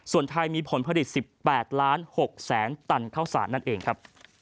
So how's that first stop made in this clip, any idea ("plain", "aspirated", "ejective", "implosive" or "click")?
aspirated